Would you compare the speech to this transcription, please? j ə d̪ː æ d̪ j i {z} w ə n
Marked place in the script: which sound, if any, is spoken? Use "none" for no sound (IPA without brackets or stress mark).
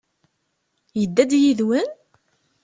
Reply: ð